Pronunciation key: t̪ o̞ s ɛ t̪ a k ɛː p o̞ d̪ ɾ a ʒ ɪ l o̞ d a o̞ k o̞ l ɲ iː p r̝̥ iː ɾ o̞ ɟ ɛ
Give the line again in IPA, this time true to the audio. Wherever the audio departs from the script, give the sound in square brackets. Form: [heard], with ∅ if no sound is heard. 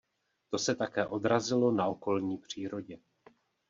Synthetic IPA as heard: t̪ o̞ s ɛ t̪ a k ɛː [ʔ] o̞ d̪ ɾ a [z] ɪ l o̞ [n] a o̞ k o̞ l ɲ iː p r̝̥ iː ɾ o̞ ɟ ɛ